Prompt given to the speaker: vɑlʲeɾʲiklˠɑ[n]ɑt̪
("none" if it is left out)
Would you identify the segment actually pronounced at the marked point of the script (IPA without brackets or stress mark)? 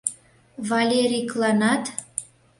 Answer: n